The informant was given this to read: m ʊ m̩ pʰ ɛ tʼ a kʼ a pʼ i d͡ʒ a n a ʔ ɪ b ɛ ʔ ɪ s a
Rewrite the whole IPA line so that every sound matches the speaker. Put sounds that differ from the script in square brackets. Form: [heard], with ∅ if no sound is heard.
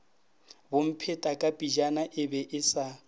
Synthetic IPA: [b] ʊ m̩ pʰ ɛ tʼ a kʼ a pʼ i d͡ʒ a n a ʔ ɪ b ɛ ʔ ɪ s a